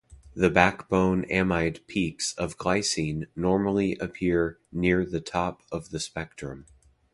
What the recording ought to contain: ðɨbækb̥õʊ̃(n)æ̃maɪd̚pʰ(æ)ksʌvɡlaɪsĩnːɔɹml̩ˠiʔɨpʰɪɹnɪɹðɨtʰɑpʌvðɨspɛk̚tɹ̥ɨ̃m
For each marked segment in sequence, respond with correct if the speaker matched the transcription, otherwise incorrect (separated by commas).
correct, incorrect